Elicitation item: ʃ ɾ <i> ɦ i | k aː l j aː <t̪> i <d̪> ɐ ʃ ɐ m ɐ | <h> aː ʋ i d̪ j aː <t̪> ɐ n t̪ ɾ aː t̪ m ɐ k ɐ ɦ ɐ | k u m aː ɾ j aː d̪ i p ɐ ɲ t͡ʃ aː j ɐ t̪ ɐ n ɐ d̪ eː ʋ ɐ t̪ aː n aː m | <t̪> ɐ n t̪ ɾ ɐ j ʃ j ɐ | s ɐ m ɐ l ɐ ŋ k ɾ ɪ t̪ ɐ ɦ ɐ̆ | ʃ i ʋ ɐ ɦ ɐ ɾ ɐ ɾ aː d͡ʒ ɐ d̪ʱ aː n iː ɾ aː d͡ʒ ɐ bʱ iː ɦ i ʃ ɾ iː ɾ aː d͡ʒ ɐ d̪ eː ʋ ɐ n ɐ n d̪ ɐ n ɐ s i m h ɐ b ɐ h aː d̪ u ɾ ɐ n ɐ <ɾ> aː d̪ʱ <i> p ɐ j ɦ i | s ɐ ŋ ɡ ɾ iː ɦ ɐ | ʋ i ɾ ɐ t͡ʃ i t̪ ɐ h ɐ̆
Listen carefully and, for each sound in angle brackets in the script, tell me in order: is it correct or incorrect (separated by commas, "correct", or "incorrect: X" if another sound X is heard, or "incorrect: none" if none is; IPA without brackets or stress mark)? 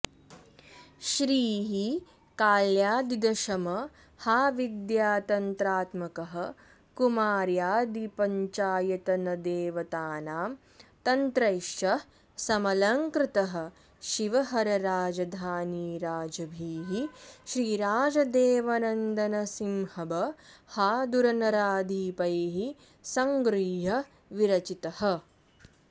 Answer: incorrect: iː, incorrect: d̪, correct, correct, correct, correct, correct, incorrect: iː